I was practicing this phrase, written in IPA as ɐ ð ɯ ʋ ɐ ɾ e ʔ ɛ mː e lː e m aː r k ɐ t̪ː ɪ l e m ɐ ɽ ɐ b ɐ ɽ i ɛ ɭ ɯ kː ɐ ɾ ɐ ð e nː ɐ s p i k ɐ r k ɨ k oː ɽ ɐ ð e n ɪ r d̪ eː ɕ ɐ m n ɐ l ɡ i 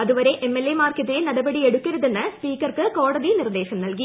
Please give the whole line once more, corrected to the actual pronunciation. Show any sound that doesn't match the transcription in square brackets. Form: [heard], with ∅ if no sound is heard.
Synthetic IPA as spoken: ɐ ð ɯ ʋ ɐ ɾ e ʔ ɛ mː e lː e m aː r k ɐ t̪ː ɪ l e [n] ɐ ɽ ɐ b ɐ ɽ i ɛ [ɽ] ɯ kː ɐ ɾ ɐ ð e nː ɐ s p [iː] k ɐ r k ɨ k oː ɽ ɐ ð [i] n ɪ r d̪ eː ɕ ɐ m n ɐ l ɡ i

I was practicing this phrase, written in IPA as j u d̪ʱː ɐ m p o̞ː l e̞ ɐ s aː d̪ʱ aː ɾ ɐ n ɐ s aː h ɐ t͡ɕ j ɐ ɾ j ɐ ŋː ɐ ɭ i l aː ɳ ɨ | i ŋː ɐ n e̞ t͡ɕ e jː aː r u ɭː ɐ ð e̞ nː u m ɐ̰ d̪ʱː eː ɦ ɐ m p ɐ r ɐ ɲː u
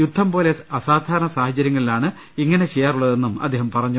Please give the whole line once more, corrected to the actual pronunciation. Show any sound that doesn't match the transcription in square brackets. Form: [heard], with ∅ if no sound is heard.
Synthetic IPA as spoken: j u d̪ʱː ɐ m p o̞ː l e̞ ɐ s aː d̪ʱ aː ɾ ɐ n ɐ s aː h ɐ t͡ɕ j ɐ ɾ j ɐ ŋː ɐ ɭ i l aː ɳ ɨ | i ŋː ɐ n e̞ t͡ɕ e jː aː r u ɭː ɐ ð e̞ nː u m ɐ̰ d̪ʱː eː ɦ ɐ m p ɐ r ɐ ɲː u

